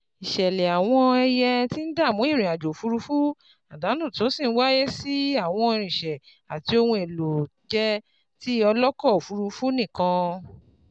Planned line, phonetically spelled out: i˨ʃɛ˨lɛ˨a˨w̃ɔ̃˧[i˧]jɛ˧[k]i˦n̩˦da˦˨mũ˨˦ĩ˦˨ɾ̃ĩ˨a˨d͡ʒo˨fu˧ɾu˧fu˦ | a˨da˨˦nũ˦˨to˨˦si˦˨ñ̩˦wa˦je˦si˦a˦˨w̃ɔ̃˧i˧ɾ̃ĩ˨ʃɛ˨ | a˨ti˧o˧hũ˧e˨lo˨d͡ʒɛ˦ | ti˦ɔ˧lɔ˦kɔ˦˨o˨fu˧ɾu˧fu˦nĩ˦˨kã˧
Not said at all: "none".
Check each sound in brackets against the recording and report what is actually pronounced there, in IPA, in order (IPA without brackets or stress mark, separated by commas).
ɛ˧, t